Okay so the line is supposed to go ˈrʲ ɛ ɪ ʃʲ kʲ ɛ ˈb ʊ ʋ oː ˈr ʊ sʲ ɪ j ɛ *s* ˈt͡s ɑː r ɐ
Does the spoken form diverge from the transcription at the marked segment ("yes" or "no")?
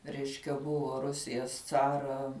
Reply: no